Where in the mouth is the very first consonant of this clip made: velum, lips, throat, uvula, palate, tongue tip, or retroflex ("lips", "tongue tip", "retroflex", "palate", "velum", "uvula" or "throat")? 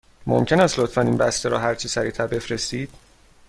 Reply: lips